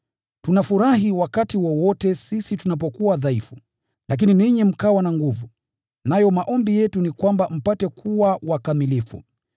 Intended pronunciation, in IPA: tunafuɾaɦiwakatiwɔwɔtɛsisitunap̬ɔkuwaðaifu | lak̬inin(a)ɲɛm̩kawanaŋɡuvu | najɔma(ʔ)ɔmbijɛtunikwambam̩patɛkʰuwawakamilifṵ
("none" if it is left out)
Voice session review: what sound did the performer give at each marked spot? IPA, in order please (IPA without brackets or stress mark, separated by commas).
i, ʔ